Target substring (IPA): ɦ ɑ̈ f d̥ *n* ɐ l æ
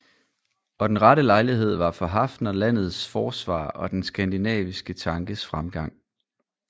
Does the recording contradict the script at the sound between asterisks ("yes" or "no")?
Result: no